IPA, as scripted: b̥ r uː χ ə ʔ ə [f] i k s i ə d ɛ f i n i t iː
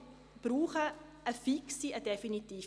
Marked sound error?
no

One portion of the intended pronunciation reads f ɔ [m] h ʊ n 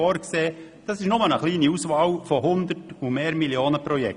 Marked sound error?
yes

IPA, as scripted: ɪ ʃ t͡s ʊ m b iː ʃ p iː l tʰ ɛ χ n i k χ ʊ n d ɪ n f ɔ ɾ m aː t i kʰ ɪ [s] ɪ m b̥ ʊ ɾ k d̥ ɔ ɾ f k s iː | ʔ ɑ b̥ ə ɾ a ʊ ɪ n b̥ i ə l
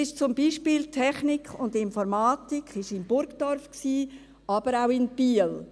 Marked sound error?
yes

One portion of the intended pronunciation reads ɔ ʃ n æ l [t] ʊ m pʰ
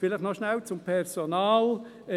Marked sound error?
yes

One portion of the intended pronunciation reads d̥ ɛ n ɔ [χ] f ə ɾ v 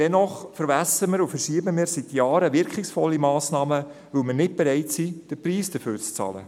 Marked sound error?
no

